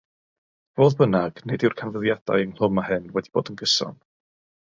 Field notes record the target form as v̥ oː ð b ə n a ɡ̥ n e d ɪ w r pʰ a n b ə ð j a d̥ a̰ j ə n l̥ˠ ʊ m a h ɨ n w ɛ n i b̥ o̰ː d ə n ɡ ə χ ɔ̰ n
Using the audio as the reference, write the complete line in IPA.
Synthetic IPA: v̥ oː ð b ə n a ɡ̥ n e d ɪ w r kʰ a n v ə ð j a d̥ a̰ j ə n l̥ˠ ʊ m a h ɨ n w ɛ d i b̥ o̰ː d ə n ɡ ə s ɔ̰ n